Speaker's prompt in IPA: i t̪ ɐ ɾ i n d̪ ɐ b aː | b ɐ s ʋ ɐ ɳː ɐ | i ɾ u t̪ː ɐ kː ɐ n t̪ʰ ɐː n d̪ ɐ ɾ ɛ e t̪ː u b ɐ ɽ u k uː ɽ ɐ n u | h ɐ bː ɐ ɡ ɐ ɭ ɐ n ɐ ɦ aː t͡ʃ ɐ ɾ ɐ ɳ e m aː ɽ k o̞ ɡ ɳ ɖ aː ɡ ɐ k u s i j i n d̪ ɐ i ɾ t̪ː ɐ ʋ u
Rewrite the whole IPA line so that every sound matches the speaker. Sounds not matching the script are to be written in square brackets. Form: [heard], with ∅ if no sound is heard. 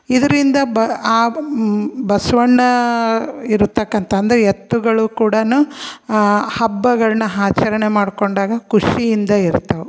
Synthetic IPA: i [d̪] ɐ ɾ i n d̪ ɐ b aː | b ɐ s ʋ ɐ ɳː ɐ | i ɾ u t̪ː ɐ kː ɐ n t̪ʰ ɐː n d̪ ɐ ɾ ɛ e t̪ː u [ɡ] ɐ [ɭ] u k uː ɽ ɐ n u | h ɐ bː ɐ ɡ ɐ ɭ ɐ n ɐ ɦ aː t͡ʃ ɐ ɾ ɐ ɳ e m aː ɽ k o̞ [∅] ɳ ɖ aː ɡ ɐ k u [ʂ] i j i n d̪ ɐ i ɾ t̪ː ɐ ʋ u